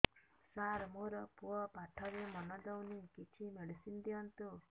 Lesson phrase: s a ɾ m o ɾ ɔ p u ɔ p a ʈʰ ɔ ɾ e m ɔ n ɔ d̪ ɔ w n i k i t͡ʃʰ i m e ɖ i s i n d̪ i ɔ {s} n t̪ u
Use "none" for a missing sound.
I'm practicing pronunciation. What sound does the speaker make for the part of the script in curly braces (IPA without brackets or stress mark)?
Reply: none